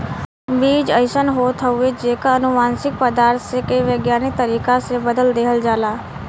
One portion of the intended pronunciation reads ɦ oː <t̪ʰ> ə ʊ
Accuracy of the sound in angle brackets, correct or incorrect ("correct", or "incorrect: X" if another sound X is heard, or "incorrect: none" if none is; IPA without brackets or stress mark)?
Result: correct